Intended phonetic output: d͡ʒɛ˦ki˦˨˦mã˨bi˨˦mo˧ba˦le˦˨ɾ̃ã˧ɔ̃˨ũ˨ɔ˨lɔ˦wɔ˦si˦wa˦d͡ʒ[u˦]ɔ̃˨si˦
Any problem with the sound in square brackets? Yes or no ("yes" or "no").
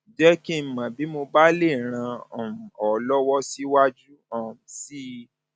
no